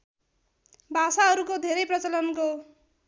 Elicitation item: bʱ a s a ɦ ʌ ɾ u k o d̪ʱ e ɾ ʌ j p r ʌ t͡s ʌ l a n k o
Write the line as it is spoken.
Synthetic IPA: bʱ a s a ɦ ʌ ɾ u k o d̪ʱ e ɾ ʌ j p r ʌ t͡s ʌ l ʌ n k o